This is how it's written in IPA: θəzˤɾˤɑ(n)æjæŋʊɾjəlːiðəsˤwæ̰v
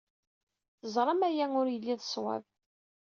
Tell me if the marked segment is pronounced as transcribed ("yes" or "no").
no